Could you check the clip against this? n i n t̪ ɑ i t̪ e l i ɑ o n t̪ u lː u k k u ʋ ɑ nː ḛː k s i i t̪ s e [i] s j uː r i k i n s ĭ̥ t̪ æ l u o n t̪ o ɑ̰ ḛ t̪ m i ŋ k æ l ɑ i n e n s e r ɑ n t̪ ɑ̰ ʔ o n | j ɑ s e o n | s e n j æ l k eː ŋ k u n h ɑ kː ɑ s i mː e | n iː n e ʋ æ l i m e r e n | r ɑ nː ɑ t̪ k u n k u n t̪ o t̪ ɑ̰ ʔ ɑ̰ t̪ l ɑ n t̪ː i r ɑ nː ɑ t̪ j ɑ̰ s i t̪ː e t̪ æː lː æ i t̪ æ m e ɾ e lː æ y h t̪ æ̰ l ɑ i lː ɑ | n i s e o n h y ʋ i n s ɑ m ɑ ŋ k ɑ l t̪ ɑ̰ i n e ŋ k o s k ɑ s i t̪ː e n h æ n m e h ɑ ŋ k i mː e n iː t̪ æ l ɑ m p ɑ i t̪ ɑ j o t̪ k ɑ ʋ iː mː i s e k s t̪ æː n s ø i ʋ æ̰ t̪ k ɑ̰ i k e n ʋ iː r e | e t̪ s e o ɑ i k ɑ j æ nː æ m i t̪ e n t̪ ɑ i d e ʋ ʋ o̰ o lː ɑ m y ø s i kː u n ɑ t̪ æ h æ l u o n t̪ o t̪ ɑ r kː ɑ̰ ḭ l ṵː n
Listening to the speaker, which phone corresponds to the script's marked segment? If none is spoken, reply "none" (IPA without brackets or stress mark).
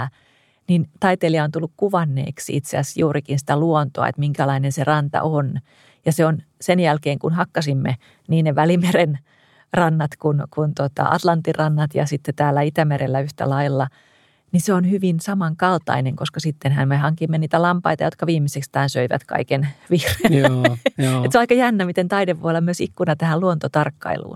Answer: æ